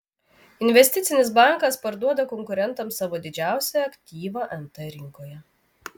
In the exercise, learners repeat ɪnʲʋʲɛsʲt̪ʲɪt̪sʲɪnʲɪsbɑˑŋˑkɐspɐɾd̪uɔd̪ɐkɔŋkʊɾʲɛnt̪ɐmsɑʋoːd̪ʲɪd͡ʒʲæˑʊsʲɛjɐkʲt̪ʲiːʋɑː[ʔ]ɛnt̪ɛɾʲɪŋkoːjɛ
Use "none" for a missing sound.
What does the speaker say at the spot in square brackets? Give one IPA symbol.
ʔ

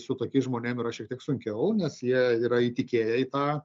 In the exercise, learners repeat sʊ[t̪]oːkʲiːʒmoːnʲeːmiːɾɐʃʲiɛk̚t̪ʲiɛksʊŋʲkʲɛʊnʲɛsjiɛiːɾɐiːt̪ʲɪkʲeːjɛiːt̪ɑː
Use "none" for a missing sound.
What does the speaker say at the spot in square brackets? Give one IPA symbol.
t̪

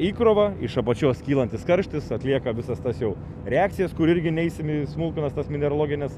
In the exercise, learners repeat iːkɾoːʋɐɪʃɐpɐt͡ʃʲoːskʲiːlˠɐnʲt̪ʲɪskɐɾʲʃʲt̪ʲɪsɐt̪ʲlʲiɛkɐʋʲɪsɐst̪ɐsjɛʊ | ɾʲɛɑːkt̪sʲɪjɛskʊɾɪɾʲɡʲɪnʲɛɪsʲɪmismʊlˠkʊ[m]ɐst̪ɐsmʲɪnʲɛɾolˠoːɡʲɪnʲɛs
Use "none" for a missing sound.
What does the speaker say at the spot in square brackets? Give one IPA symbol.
n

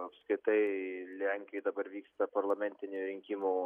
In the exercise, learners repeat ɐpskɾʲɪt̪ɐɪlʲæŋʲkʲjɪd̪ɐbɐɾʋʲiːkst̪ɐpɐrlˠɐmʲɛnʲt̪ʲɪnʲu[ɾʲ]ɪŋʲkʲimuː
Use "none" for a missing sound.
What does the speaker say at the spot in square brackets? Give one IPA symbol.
ɾʲ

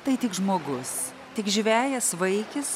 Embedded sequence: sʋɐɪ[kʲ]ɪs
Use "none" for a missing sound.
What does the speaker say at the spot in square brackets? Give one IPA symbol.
kʲ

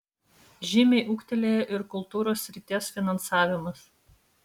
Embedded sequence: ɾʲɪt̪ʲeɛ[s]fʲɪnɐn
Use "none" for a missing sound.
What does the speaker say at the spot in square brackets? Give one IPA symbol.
s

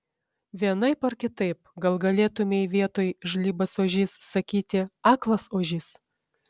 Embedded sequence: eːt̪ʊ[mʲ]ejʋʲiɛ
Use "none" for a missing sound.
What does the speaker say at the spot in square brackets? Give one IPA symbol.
mʲ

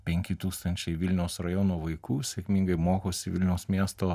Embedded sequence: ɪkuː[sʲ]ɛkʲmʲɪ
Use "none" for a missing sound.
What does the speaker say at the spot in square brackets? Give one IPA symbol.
sʲ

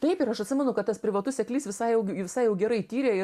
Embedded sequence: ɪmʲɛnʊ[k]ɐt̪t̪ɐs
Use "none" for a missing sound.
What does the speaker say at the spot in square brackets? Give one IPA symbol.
k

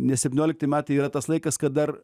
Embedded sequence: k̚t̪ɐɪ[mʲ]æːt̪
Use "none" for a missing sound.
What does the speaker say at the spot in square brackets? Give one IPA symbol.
mʲ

